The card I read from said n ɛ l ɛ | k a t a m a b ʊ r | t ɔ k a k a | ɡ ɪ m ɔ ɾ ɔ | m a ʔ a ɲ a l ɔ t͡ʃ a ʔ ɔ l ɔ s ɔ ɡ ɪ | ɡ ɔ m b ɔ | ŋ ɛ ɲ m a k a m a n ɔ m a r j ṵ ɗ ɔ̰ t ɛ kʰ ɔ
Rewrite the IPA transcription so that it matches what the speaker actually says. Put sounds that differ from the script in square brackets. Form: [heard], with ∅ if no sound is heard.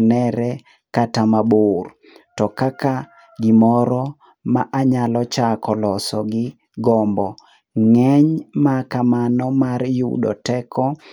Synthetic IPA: n ɛ [ɾ] ɛ | k a t a m a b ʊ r | t ɔ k a k a | ɡ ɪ m ɔ ɾ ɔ | m a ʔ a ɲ a l ɔ t͡ʃ a [k] ɔ l ɔ s ɔ ɡ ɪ | ɡ ɔ m b ɔ | ŋ ɛ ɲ m a k a m a n ɔ m a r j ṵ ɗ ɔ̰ t ɛ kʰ ɔ